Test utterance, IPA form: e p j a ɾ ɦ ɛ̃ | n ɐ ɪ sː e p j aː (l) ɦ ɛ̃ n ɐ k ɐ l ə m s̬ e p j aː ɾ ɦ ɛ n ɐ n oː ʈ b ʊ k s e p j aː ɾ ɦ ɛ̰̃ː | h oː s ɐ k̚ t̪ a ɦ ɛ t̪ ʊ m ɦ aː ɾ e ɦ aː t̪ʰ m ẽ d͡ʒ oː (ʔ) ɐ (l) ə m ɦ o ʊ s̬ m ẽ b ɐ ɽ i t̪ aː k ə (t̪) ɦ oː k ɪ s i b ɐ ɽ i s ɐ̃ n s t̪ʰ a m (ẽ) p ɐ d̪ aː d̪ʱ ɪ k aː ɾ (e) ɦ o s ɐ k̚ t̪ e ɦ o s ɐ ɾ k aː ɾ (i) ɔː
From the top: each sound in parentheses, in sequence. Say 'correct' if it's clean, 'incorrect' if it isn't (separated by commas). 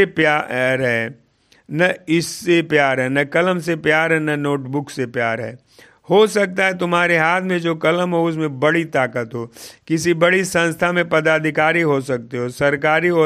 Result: incorrect, incorrect, correct, correct, correct, incorrect, correct